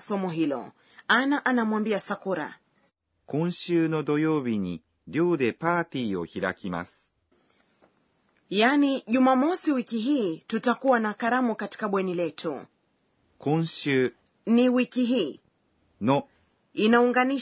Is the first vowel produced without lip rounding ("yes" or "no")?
no